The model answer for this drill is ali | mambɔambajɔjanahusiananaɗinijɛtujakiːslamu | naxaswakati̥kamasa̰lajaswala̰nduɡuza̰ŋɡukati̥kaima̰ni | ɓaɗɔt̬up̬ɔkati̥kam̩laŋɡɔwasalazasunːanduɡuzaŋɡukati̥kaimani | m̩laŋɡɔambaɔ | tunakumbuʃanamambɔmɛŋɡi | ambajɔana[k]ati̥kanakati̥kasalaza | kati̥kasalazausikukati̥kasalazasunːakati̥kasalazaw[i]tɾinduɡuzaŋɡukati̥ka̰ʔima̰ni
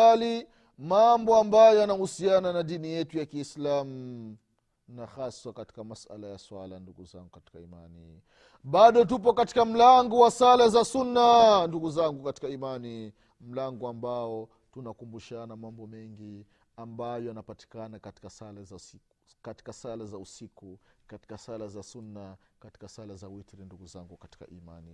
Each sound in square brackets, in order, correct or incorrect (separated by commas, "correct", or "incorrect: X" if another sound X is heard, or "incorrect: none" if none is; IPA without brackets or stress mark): incorrect: p, correct